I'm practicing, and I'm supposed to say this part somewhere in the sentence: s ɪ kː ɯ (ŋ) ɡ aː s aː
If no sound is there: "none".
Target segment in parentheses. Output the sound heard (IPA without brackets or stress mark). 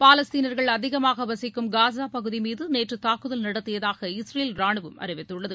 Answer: m